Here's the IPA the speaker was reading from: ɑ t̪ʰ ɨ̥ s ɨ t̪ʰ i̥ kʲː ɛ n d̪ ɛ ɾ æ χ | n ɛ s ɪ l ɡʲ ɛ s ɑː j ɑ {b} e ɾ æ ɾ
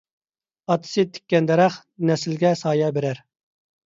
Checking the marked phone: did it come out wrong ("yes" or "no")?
no